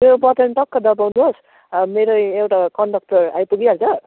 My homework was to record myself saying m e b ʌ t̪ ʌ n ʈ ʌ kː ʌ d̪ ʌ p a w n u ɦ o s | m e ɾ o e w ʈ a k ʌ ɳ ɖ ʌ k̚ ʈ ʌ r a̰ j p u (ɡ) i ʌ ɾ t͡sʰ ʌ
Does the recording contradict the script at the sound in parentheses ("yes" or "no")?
no